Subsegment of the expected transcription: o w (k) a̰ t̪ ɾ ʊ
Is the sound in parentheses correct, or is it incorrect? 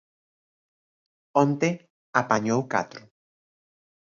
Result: correct